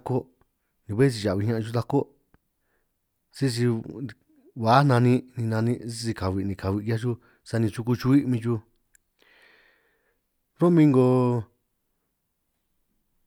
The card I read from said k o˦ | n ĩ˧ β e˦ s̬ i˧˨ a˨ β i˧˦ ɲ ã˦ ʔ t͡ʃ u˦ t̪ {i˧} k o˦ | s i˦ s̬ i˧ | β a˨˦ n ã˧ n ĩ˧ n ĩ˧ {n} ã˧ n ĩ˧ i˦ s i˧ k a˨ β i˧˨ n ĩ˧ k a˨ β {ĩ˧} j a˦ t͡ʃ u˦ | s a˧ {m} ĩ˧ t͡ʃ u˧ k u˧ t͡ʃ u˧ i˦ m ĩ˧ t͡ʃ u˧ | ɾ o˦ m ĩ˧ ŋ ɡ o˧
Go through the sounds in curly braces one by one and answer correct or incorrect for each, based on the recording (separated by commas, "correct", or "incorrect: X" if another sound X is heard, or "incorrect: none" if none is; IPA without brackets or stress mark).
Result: incorrect: a˧, correct, incorrect: i˧, incorrect: n